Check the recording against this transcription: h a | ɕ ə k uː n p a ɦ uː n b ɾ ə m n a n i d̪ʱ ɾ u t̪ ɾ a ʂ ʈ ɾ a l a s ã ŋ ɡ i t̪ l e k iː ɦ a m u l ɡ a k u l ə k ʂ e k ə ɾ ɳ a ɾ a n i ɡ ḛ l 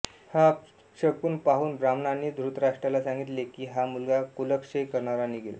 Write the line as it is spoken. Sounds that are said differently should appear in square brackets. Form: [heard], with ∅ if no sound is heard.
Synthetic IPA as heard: h a | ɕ ə k uː n p a ɦ uː n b ɾ [a] m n a n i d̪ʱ ɾ u t̪ ɾ a ʂ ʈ ɾ a l a s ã ŋ ɡ i t̪ l e k iː ɦ a m u l ɡ a k u l ə k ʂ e k ə ɾ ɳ a ɾ a n i ɡ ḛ l